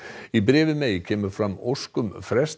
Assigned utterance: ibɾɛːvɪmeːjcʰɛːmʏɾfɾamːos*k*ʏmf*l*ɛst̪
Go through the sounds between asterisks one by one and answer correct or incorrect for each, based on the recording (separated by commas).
correct, incorrect